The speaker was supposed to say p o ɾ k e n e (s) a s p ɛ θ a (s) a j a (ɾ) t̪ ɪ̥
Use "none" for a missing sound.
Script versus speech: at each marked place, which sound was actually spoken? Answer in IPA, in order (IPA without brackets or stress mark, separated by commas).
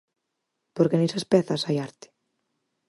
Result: s, s, ɾ